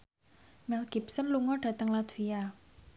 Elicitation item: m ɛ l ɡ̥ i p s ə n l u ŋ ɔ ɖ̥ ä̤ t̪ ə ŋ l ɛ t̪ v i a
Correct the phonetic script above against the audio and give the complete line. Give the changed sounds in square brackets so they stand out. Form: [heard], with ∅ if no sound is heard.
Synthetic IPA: m ɛ l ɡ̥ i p s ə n l u ŋ ɔ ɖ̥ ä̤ t̪ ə ŋ l [a] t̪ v i a